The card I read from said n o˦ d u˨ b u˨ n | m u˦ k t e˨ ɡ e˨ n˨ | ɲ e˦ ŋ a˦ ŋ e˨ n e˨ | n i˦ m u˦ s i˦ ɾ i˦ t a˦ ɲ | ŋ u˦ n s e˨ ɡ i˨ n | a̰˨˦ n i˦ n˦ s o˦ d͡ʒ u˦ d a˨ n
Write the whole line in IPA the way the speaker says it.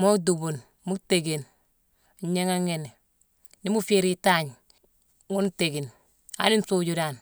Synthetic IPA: m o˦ d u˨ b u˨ n | m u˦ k t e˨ ɡ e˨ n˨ | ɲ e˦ ŋ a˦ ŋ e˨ n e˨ | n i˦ m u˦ f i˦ ɾ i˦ t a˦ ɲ | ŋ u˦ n t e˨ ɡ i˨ n | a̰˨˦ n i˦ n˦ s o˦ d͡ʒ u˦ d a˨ n